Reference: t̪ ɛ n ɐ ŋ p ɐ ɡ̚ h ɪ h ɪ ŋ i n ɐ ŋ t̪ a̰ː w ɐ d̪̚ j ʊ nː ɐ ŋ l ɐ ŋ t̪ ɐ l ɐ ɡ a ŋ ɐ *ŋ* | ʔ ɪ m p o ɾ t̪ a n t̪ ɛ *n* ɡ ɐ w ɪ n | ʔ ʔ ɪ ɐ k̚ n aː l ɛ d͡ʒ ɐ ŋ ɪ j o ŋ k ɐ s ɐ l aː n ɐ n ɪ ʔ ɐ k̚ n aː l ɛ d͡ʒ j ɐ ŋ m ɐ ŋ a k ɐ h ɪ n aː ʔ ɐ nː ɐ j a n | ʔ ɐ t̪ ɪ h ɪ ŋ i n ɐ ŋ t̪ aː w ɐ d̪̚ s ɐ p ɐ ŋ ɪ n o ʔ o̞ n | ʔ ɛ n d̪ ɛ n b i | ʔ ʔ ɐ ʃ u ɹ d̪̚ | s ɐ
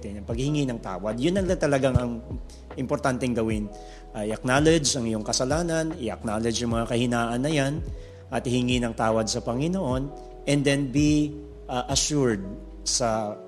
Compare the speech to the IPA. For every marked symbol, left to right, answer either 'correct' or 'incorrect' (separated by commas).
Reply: correct, incorrect